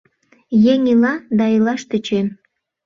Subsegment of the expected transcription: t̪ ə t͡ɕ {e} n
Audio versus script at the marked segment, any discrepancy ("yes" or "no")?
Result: no